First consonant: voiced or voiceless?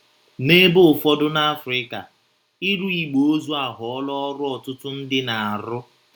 voiced